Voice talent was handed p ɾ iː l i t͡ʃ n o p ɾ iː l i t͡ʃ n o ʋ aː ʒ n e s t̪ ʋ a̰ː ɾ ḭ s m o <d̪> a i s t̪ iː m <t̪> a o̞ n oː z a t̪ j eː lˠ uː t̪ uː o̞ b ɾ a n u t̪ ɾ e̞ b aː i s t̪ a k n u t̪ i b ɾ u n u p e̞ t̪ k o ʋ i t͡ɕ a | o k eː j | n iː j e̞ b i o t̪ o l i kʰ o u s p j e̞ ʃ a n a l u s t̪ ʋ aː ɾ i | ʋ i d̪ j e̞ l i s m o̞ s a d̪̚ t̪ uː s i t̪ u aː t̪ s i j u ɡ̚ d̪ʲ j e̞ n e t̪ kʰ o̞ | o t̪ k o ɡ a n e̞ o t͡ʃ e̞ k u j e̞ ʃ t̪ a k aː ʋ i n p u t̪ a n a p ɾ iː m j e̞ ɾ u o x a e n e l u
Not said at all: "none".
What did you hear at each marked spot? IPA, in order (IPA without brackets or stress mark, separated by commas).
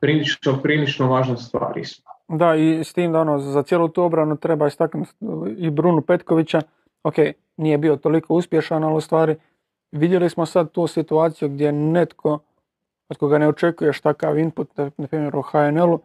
d̪, d̪